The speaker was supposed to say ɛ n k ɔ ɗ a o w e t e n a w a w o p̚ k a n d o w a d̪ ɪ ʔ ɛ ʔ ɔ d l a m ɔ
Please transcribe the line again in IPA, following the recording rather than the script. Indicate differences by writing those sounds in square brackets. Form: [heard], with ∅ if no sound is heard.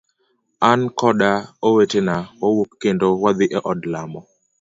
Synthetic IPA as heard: [a] n k ɔ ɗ a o w e t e n a w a w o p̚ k [e] n d o w a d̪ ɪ ʔ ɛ ʔ ɔ d l a m ɔ